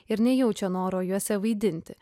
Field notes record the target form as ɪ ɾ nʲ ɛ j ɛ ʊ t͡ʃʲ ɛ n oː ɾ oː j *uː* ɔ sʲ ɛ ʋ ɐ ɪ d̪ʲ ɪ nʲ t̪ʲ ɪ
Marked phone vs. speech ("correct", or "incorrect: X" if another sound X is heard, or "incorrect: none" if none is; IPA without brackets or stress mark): incorrect: u